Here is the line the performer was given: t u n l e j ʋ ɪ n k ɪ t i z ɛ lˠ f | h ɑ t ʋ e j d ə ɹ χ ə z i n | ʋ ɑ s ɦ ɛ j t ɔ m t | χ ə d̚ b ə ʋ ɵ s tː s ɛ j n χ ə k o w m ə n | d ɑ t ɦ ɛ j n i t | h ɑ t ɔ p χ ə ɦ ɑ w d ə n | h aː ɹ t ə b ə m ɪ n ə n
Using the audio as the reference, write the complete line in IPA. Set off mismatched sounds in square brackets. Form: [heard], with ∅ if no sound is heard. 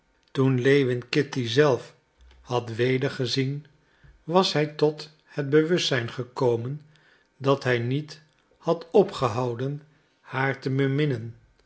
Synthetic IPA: t u n l e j ʋ ɪ n k ɪ t i z ɛ lˠ f | h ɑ t ʋ e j d ə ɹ χ ə z i n | ʋ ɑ s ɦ ɛ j t ɔ [∅] t | [h] ə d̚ b ə ʋ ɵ s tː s ɛ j n χ ə k o w m ə n | d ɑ t ɦ ɛ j n i t | h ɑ t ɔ p χ ə ɦ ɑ w d ə n | h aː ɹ t ə b ə m ɪ n ə n